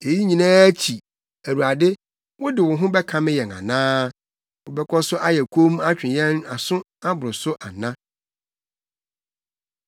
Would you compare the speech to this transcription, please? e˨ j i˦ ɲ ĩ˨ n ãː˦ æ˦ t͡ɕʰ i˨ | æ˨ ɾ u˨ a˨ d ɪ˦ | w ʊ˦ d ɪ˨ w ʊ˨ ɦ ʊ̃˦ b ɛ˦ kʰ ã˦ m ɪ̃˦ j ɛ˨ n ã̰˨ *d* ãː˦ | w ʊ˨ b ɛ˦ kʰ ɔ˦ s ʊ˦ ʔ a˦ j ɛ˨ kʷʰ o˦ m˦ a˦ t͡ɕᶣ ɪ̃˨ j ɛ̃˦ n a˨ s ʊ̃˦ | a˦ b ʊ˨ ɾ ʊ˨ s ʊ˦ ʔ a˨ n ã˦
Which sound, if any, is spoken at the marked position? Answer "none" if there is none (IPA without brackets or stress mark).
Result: n